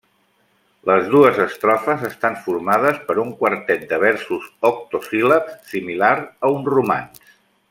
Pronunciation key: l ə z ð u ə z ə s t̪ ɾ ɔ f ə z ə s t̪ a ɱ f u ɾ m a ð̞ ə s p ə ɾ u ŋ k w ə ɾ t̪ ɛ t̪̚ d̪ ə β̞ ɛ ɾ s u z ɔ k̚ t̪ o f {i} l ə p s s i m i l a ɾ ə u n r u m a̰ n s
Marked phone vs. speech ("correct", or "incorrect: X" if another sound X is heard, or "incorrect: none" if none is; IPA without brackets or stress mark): correct